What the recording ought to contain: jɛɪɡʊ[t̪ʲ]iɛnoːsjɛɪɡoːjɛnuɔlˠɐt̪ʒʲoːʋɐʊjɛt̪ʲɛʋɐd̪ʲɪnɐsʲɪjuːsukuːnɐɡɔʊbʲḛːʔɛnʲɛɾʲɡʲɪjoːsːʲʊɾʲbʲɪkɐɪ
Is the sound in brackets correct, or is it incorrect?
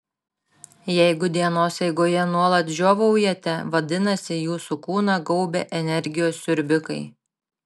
incorrect